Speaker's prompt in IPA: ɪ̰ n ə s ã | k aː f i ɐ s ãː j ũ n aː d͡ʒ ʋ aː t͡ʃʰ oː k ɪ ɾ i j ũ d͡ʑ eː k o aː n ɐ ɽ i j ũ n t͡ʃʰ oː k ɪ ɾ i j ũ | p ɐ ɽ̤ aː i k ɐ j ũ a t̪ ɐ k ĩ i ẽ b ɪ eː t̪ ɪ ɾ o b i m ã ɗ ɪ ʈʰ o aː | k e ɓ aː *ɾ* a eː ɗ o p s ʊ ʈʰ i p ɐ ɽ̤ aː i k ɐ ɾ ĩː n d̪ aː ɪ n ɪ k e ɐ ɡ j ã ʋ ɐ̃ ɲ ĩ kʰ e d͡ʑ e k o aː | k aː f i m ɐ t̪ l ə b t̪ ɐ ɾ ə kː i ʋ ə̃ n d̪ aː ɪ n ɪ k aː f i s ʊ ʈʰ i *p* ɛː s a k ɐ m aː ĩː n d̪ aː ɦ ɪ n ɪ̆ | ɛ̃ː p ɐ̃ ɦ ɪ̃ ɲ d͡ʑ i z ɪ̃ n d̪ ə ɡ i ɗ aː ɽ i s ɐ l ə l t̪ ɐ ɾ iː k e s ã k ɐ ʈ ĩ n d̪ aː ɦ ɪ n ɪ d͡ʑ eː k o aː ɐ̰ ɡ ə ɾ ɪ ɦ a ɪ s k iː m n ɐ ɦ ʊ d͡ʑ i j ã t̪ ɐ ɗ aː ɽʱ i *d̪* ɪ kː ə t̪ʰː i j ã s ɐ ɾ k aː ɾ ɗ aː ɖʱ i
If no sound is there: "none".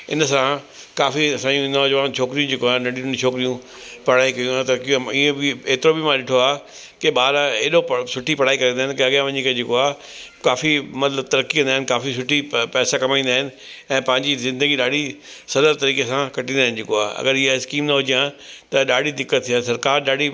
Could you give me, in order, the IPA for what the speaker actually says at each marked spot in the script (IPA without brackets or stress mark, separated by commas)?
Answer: ɾ, p, d̪